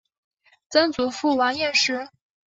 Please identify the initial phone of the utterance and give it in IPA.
t͡s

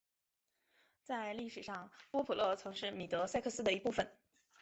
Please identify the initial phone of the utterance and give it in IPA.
t͡s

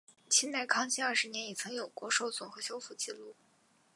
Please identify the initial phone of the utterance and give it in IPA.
t͡ɕʰ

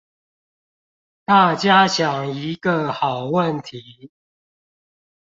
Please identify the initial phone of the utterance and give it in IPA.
t̪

